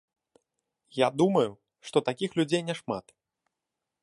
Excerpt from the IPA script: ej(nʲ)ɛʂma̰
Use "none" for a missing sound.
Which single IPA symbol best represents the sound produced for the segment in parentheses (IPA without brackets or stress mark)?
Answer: nʲ